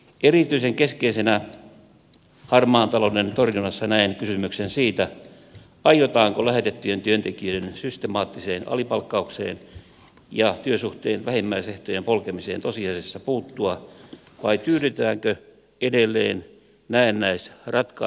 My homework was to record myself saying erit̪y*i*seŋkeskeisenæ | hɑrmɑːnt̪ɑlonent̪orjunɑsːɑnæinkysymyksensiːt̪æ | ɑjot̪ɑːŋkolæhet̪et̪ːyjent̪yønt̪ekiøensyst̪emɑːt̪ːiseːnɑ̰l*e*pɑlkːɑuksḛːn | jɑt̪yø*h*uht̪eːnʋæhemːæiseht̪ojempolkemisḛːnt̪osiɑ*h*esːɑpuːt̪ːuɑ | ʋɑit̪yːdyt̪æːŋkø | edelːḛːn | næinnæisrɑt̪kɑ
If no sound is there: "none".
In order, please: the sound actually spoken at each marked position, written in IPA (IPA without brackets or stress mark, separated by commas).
i, i, s, s